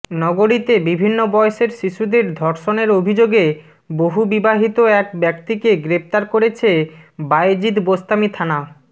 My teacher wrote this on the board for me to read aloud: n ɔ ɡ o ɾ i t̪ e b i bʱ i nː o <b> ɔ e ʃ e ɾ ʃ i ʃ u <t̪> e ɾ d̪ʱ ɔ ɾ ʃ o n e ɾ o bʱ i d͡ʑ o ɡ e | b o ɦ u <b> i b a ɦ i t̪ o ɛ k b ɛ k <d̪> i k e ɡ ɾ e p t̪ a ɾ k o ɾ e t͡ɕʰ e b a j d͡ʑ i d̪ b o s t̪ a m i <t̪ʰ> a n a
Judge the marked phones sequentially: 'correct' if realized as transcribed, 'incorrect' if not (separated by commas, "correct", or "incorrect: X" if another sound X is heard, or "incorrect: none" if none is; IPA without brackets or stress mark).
correct, incorrect: d̪, correct, incorrect: t̪, correct